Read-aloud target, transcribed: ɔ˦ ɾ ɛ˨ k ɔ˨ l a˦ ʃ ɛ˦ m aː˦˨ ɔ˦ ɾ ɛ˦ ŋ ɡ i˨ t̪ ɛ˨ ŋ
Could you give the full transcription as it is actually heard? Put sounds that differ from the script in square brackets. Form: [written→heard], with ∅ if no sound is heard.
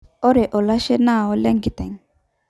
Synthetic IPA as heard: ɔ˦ ɾ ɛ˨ [k→ʔ] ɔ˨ l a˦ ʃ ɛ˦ [m→n] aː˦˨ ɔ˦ [ɾ→l] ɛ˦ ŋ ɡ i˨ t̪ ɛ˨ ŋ

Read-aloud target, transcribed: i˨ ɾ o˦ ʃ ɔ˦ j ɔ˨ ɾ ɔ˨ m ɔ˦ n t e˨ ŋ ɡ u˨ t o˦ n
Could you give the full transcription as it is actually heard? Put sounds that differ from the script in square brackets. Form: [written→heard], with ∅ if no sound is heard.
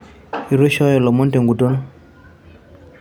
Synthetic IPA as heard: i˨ ɾ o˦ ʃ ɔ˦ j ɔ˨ [ɾ→l] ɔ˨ m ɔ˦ n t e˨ ŋ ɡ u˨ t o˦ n

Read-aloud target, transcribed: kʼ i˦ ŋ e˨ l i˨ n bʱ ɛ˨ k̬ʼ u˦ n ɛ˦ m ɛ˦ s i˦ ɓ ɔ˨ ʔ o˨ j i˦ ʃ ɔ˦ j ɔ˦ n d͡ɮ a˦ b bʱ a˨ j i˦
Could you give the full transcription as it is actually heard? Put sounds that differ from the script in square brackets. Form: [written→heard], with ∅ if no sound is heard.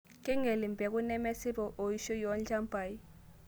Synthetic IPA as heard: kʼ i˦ ŋ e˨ l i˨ [n→m] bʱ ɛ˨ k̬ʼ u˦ n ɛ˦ m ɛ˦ s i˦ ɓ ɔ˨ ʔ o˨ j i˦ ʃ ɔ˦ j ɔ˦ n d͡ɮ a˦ [b→m] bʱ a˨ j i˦

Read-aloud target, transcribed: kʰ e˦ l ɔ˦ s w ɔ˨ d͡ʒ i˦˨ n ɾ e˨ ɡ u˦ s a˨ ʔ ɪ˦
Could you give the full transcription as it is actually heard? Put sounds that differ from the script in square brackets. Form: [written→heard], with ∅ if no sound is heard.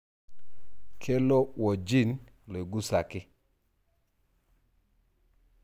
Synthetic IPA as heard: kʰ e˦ l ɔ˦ [s→∅] w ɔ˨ d͡ʒ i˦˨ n [ɾ→l] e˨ ɡ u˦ s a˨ [ʔ→k] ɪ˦

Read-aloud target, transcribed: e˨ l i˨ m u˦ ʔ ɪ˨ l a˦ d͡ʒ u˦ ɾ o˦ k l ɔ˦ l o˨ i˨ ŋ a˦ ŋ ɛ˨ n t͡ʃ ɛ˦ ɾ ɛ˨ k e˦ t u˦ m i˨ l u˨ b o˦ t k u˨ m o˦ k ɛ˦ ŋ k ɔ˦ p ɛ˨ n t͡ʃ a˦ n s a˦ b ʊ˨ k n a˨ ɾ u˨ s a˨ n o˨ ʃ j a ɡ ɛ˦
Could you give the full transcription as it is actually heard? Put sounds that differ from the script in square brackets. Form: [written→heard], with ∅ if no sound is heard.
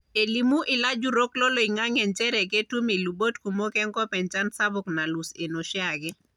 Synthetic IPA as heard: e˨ l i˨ m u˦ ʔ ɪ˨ l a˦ d͡ʒ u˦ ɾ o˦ k l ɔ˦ l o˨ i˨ ŋ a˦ ŋ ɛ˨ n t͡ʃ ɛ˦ ɾ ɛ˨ k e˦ t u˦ m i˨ l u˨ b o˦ t k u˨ m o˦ k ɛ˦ ŋ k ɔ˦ p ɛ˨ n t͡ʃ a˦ n s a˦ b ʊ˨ k n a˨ [ɾ→l] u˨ s [a˨→e˨] n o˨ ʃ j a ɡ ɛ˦

